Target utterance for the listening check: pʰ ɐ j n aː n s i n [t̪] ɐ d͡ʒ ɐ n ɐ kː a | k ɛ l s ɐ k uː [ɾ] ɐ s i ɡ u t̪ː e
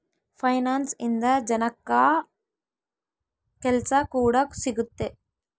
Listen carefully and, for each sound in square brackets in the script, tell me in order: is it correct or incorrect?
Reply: incorrect, incorrect

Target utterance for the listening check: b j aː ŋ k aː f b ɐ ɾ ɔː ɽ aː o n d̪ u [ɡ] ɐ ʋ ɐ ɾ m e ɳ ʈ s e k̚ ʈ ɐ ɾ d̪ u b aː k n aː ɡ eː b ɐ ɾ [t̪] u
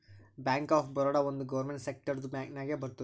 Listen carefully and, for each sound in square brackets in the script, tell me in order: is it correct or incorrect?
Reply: correct, correct

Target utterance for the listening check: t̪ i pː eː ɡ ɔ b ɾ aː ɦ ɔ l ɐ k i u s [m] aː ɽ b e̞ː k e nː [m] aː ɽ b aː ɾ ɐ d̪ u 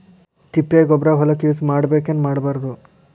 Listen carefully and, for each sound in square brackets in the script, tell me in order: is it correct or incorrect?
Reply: correct, correct

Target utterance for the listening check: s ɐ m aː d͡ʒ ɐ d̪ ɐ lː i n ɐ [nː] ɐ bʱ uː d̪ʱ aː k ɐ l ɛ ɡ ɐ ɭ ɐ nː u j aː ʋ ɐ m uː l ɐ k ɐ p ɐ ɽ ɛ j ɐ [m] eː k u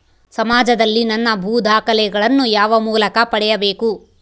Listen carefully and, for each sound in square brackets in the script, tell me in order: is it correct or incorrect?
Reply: correct, incorrect

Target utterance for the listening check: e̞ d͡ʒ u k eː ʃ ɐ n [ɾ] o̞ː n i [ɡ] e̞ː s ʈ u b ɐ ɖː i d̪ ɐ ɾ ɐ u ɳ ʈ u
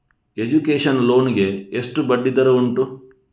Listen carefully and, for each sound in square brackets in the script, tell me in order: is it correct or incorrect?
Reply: incorrect, correct

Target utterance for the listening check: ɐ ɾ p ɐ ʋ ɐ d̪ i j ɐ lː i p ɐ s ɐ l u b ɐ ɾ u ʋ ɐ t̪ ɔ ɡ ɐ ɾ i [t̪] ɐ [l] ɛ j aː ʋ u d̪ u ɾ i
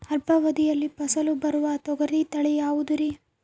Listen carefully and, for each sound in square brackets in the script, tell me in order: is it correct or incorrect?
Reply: correct, incorrect

